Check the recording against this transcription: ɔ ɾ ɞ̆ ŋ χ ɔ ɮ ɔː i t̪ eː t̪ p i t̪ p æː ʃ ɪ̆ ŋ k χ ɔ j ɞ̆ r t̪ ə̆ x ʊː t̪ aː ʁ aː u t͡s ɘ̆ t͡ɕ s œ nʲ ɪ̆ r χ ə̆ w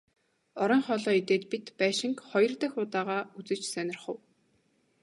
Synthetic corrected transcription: ɔ ɾ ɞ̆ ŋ χ ɔ ɮ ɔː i t̪ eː t̪ p i t̪ p æː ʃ ɪ̆ ŋ k χ ɔ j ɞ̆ r t̪ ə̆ x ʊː t̪ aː ʁ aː u t͡s ɘ̆ t͡ɕ s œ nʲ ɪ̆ r χ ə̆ w